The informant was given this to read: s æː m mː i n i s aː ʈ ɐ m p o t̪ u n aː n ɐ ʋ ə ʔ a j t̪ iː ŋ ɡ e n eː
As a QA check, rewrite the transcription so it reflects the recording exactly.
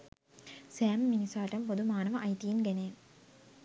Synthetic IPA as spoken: s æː m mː i n i s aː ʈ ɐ m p o d̪ u m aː n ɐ ʋ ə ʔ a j t̪ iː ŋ ɡ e n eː

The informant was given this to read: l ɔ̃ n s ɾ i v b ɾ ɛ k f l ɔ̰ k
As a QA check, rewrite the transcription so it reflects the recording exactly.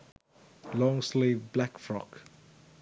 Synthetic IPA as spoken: l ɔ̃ ŋ s l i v b l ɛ k f ɹ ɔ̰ k

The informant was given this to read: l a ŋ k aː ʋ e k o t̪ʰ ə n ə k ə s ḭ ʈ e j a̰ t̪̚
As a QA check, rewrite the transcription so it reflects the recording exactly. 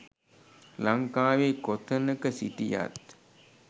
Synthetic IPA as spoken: l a ŋ k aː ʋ e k o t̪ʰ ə n ə k ə s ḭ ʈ i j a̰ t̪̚

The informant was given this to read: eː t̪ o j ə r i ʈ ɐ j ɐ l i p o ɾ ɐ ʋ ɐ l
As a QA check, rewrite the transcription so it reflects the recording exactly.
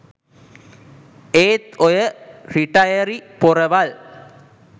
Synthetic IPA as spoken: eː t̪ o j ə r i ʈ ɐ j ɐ ɾ i p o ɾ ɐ ʋ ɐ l

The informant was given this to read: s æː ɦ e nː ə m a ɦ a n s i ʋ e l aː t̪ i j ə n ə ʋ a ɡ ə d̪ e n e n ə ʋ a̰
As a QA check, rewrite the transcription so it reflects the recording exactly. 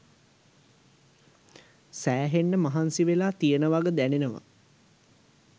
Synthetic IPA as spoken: s æː ɦ e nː ə m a ɦ a n s i ʋ e l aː t̪ i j ə n ə ʋ a ɡ ə d̪ æ n e n ə ʋ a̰

